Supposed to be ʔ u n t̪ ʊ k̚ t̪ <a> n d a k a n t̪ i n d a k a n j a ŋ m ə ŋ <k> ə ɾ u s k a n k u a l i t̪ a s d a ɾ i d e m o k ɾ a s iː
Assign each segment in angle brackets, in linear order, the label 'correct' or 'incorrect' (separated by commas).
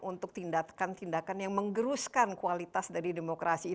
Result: incorrect, incorrect